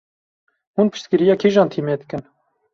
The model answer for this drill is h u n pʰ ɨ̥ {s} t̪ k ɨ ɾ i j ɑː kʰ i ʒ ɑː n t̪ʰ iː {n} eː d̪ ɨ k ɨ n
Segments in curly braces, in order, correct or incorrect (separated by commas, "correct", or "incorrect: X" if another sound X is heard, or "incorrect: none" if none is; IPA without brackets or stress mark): incorrect: ʃ, incorrect: m